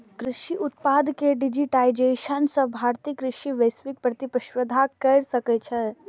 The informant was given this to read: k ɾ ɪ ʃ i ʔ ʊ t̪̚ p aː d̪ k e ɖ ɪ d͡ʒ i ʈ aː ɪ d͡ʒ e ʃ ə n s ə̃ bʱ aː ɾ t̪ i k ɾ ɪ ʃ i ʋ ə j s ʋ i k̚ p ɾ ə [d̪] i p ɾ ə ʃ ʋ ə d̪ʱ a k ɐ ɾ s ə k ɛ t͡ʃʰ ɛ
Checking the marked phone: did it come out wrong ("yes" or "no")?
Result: yes